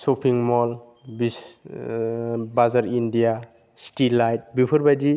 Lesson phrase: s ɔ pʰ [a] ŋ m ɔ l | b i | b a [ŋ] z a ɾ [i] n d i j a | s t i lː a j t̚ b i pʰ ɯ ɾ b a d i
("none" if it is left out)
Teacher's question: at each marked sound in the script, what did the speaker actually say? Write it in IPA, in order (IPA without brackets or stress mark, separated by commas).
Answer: i, none, i